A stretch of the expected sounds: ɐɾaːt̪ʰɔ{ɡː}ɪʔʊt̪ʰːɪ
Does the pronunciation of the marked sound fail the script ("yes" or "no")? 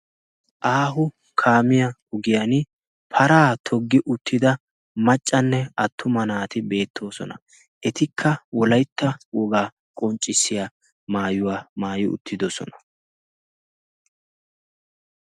no